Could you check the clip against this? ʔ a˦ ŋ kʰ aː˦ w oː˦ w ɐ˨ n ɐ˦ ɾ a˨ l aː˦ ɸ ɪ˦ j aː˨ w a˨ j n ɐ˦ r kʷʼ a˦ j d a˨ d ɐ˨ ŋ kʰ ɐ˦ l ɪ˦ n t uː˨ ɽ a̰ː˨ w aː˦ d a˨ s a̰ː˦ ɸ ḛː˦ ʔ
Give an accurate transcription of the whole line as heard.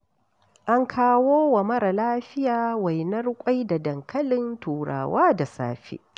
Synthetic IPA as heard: ʔ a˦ ŋ kʰ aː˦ w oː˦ w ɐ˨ m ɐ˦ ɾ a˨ l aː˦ ɸ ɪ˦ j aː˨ w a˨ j n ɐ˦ r kʷʼ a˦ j d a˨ d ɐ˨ ŋ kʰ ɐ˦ l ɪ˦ n t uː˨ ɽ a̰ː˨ w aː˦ d a˨ s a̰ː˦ ɸ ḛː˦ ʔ